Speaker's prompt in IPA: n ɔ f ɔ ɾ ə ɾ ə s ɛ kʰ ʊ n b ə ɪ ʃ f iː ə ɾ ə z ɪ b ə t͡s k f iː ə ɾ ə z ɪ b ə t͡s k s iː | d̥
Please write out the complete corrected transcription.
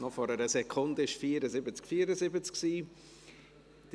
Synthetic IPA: n ɔ f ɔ ɾ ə ɾ ə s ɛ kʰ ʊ n d ə ɪ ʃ f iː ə ɾ ə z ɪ b ə t͡s k f iː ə ɾ ə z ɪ b ə t͡s k s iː | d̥